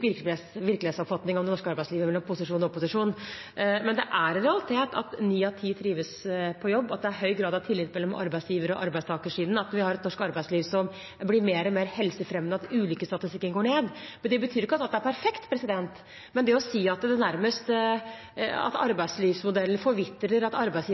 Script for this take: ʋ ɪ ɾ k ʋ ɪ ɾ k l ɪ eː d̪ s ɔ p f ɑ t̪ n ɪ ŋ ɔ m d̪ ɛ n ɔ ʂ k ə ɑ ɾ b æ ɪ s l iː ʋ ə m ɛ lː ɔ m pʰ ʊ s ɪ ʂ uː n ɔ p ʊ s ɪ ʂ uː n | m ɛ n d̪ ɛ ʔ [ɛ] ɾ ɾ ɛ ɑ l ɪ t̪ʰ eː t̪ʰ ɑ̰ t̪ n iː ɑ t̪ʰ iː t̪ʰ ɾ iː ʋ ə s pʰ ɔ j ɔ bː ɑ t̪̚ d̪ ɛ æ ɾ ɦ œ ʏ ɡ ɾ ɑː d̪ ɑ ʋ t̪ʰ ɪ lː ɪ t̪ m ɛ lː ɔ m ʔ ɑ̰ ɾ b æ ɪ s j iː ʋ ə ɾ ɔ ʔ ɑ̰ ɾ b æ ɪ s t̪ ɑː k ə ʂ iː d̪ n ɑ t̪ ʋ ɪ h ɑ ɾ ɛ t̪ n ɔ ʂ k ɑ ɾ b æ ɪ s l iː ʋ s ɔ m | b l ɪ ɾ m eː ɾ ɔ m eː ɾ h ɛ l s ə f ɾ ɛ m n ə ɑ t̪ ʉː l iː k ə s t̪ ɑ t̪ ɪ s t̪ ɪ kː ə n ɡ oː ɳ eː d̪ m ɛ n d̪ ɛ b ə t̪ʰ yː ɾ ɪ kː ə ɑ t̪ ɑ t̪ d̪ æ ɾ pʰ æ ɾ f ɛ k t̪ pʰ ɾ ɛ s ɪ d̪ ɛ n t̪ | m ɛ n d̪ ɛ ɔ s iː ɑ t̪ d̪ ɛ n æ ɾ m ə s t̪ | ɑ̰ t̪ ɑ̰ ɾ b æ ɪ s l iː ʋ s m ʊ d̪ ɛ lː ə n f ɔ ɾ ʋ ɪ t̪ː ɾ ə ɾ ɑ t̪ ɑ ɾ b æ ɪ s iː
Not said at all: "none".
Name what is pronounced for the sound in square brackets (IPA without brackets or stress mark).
æ